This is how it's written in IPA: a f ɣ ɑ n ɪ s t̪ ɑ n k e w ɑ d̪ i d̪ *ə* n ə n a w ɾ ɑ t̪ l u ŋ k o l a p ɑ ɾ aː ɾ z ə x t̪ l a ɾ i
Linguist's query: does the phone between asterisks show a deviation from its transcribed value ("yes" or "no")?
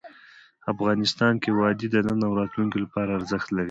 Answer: no